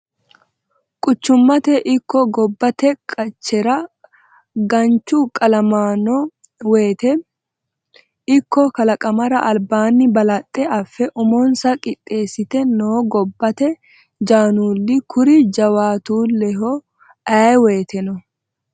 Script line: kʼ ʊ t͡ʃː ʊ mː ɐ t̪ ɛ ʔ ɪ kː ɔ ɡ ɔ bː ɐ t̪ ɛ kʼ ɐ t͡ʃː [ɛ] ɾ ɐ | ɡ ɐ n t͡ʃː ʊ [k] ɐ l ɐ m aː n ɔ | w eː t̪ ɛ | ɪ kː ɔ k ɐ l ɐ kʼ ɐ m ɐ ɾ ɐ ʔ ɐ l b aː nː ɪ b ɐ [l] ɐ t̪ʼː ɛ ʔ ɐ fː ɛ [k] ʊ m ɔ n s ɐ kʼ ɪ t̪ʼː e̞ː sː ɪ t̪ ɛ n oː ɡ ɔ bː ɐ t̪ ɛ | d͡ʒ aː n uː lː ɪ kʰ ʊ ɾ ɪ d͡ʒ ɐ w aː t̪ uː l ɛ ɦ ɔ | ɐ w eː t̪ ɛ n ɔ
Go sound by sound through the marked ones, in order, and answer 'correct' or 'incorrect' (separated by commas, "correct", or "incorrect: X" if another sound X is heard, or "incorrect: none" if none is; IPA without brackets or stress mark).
correct, incorrect: kʼ, correct, incorrect: ʔ